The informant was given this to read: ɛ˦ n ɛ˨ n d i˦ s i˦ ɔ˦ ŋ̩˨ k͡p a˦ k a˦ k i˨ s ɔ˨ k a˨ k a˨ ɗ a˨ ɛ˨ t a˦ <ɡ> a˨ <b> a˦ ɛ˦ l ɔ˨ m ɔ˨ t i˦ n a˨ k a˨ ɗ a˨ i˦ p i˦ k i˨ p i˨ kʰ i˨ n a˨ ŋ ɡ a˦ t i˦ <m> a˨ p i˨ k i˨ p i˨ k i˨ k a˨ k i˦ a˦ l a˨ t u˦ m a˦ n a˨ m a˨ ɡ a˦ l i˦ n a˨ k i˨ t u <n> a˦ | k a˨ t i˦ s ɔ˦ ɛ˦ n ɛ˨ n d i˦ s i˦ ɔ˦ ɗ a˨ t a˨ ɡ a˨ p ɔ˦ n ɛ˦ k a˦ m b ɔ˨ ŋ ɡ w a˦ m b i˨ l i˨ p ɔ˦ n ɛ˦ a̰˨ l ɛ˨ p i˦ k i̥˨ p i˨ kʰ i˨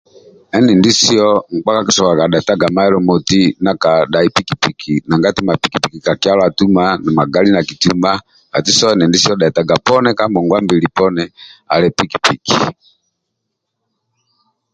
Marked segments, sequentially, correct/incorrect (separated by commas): correct, incorrect, correct, incorrect